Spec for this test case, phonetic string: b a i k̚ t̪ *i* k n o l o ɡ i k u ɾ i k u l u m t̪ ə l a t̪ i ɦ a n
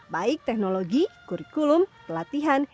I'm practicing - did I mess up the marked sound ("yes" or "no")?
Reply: yes